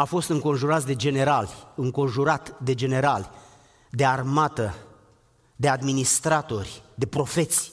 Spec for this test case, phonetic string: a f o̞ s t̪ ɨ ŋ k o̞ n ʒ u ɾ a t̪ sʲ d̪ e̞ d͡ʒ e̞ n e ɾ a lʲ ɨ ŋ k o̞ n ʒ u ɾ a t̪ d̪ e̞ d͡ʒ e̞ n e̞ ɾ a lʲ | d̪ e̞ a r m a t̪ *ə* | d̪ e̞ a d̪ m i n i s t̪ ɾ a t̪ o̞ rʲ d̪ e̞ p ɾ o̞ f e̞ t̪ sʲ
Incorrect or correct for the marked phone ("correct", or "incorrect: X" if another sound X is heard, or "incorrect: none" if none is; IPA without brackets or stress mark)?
correct